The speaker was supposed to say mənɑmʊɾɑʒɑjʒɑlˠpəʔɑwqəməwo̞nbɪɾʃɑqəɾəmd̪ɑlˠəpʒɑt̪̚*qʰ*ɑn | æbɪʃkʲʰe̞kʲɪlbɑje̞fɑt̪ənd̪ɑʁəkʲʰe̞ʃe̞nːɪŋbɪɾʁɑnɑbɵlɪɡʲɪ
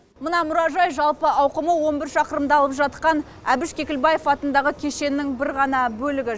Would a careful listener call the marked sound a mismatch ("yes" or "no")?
yes